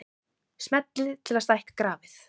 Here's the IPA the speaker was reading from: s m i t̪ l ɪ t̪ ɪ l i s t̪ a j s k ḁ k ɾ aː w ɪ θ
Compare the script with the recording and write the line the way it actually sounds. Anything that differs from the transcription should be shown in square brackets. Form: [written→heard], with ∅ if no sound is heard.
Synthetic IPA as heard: s m [i→ɛ] t̪ l ɪ [t̪→t̪ʰ] ɪ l [i→a] s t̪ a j [s→h] k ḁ k ɾ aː [w→v] ɪ θ